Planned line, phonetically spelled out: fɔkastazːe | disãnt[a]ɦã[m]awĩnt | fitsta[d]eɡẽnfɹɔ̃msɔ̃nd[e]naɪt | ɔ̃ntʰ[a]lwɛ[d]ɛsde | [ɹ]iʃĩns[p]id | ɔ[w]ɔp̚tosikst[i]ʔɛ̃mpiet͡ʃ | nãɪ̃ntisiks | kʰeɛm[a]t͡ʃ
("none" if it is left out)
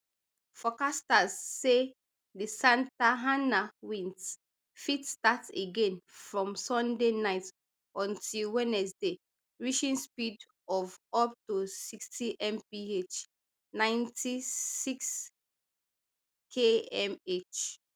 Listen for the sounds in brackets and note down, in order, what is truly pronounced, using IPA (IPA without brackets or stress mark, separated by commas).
a, n, t, e, i, n, ɹ, p, v, i, e